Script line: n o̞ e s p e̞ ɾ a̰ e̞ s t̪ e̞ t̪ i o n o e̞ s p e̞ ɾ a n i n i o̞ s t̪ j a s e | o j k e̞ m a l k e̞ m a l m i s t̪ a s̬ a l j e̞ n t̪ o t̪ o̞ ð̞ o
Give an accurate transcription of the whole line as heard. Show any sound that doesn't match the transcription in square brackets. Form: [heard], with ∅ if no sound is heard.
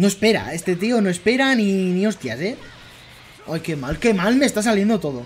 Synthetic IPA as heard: n o̞ e s p e̞ ɾ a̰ e̞ s t̪ e̞ t̪ i o n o e̞ s p e̞ ɾ a n i n i o̞ s t̪ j a s e | o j k e̞ m a l k e̞ m a l m [e] s t̪ a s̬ a l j e̞ n [d̪] o t̪ o̞ ð̞ o